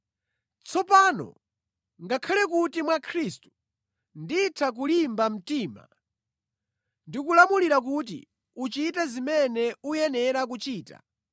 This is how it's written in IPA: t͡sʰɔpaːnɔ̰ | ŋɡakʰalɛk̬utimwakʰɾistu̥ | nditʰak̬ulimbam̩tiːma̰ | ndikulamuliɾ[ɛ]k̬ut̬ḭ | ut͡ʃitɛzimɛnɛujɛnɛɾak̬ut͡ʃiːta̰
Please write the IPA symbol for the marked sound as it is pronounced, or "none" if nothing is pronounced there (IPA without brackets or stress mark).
a